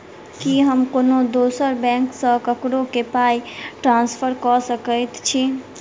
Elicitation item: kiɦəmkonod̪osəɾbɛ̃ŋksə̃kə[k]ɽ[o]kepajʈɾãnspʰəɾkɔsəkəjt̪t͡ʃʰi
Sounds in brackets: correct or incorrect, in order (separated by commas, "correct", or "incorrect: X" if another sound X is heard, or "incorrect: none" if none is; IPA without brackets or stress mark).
correct, correct